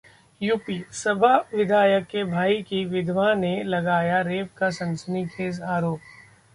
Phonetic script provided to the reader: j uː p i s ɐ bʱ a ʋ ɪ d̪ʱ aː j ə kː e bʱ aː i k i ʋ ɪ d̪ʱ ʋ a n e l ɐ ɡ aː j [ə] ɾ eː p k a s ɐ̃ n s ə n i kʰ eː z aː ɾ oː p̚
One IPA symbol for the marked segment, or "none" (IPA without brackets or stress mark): a